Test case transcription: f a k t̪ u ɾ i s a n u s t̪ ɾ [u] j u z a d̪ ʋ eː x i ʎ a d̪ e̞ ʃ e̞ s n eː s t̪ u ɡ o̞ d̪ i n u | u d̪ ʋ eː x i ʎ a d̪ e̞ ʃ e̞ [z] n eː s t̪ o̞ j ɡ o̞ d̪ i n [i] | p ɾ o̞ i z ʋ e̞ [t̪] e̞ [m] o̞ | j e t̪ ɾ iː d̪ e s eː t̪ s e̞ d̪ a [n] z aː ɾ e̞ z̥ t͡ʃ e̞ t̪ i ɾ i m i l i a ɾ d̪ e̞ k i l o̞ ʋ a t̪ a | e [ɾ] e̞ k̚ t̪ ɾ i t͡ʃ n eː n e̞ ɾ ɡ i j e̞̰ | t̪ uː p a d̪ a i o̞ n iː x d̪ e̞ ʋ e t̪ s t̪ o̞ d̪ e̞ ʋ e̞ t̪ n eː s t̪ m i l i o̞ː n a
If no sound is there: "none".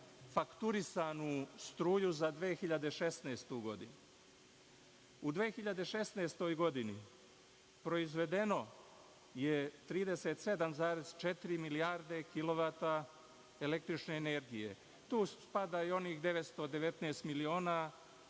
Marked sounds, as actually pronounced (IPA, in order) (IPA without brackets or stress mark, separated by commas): uː, s, i, d̪, n, m, l